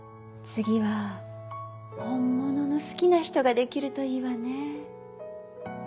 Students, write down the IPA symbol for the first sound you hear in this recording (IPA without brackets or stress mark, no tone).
t͡s